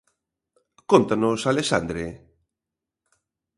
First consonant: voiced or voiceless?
voiceless